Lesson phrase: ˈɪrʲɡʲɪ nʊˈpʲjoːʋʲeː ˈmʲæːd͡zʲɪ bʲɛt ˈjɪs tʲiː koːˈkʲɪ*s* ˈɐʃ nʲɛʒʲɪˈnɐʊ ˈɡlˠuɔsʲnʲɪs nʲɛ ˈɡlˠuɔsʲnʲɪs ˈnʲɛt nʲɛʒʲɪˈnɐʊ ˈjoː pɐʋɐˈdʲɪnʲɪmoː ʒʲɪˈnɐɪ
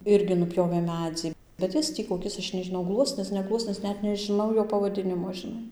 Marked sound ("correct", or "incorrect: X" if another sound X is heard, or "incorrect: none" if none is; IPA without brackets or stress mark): correct